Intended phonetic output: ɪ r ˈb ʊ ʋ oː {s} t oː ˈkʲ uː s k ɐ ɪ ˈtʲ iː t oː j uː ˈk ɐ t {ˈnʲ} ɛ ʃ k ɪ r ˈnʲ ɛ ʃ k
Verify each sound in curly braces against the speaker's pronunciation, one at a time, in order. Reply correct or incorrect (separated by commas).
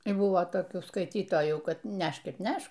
incorrect, correct